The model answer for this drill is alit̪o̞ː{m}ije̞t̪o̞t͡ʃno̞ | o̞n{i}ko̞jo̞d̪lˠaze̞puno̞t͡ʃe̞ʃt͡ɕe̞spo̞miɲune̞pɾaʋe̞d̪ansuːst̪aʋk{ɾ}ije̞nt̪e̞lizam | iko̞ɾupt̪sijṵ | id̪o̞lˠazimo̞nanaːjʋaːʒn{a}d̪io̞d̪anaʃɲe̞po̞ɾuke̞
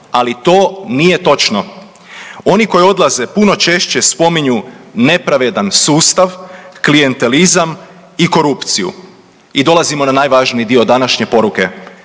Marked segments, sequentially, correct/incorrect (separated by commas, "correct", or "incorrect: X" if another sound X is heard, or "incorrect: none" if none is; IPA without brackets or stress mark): incorrect: n, correct, incorrect: l, incorrect: i